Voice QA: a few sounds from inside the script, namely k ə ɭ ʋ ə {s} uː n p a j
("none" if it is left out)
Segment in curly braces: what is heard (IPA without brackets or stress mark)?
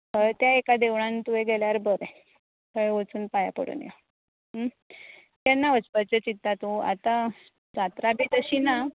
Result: t͡s